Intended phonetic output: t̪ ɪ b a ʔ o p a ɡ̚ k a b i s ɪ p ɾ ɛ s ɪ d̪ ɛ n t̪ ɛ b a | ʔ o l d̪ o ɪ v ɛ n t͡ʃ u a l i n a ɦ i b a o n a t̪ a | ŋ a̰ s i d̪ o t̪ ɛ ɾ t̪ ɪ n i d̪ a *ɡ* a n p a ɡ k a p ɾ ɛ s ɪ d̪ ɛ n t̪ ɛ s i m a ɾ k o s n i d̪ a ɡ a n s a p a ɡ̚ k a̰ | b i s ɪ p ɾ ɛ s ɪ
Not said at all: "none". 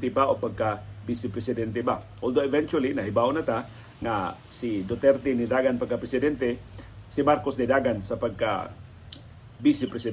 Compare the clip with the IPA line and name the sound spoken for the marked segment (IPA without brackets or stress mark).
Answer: ɡ